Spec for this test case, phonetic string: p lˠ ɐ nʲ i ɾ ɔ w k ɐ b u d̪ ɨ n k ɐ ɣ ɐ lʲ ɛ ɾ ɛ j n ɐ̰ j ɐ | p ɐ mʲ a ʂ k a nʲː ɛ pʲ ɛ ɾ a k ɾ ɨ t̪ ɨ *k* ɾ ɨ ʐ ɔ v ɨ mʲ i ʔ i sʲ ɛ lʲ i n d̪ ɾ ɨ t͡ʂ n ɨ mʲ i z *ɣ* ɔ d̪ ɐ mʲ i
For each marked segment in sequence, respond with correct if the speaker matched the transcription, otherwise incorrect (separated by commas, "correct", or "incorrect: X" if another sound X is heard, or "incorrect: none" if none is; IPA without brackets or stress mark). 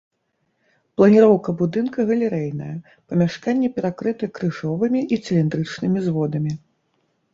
correct, incorrect: v